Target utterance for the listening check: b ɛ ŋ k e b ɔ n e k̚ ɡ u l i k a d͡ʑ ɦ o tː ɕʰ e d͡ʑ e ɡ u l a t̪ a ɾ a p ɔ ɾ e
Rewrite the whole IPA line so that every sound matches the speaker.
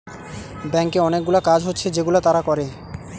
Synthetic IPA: b ɛ ŋ k e ɔ n e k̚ ɡ u l a k a d͡ʑ ɦ o tː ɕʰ e d͡ʑ e ɡ u l a t̪ a ɾ a k ɔ ɾ e